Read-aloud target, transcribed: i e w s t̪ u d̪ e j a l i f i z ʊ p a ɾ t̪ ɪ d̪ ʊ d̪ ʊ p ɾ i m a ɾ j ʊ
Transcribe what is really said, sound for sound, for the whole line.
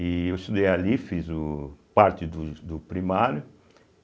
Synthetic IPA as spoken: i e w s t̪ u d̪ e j a l i f i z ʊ p a ɾ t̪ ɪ d̪ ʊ d̪ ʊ p ɾ i m a ɾ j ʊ